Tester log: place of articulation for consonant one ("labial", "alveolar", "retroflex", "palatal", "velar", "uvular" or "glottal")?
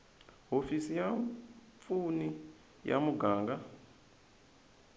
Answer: glottal